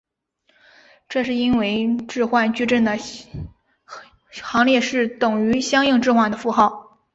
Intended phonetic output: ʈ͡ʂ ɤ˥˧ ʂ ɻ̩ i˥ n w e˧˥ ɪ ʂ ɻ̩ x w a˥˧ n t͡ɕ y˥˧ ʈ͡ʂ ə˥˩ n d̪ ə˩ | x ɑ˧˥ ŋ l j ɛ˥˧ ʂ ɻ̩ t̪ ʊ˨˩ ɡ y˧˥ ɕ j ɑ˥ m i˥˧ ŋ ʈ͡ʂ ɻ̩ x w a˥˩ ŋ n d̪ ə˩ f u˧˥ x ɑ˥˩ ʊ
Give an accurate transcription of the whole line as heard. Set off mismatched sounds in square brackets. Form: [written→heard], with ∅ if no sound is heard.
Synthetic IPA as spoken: ʈ͡ʂ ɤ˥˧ ʂ ɻ̩ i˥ n w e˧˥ ɪ [ʂ→ʈ͡ʂ] ɻ̩ x w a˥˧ n t͡ɕ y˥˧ ʈ͡ʂ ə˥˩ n d̪ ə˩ | x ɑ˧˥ ŋ l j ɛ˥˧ ʂ ɻ̩ t̪ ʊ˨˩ [ɡ→ŋ] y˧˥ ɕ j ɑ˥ [m→ŋ] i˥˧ ŋ ʈ͡ʂ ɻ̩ x w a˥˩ [ŋ→∅] n d̪ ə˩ f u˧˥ x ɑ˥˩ ʊ